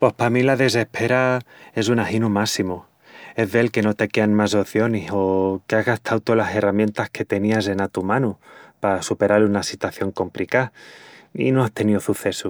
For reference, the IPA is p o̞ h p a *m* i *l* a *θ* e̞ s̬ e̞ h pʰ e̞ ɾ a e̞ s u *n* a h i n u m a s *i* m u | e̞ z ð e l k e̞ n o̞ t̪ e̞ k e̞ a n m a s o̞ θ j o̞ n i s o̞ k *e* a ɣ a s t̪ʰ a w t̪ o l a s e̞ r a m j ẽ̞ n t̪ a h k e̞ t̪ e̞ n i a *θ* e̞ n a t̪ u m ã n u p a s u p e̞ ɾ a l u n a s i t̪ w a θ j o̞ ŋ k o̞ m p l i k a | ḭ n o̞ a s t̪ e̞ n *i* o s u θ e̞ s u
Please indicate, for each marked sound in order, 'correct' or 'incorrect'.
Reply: correct, correct, incorrect: ð, correct, correct, correct, incorrect: s, correct

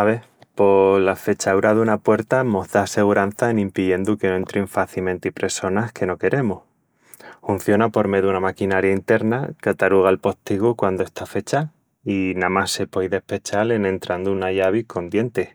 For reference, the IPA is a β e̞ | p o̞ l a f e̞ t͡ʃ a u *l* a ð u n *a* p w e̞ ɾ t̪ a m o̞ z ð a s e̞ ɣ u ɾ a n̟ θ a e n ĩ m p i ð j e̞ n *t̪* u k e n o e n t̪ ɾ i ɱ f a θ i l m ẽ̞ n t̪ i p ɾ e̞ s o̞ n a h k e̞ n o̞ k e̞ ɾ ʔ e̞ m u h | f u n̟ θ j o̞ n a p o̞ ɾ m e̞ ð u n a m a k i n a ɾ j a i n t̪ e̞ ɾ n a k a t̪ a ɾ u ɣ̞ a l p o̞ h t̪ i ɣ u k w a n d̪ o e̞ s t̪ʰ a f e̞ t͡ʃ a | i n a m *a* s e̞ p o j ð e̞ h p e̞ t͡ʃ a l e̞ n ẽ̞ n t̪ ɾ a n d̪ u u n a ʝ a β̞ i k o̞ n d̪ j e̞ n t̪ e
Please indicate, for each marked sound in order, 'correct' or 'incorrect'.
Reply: incorrect: ɾ, correct, incorrect: d̪, correct

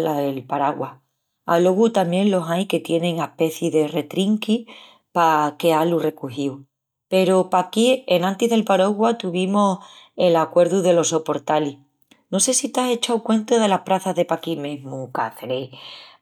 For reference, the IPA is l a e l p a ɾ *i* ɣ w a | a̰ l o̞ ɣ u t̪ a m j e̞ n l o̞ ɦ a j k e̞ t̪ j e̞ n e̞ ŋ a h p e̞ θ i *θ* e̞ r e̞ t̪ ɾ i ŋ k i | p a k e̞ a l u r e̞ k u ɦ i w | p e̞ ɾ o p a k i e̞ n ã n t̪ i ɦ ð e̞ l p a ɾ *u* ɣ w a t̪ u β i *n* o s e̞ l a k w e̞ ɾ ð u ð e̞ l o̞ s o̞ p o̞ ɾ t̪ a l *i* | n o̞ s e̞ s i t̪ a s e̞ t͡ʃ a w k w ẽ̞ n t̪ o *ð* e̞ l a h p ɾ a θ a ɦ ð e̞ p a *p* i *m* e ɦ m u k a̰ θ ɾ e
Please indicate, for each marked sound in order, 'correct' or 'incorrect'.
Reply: incorrect: a, incorrect: ð, incorrect: o, incorrect: m, correct, correct, incorrect: k, correct

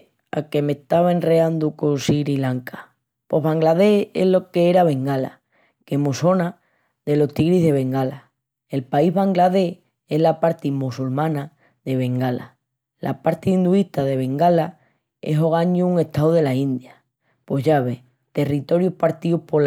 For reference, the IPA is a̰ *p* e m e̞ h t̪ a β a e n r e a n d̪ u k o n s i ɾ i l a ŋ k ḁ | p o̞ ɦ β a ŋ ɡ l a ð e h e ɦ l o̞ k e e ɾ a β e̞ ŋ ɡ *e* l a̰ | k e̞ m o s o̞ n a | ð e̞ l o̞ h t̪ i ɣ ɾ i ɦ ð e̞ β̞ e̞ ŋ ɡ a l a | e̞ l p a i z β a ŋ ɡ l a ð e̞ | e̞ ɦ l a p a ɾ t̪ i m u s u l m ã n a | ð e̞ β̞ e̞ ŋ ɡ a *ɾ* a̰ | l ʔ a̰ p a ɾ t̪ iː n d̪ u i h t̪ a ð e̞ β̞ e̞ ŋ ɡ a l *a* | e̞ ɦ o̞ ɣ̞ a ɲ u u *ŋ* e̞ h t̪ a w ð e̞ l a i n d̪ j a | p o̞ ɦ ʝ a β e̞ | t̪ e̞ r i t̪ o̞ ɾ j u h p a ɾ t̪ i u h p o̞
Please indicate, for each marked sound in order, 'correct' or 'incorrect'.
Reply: incorrect: k, incorrect: a, incorrect: l, correct, correct

